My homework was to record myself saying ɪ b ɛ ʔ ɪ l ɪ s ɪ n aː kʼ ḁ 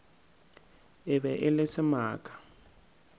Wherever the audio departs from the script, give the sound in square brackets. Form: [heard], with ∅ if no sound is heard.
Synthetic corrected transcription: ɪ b ɛ ʔ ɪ l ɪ s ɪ [m] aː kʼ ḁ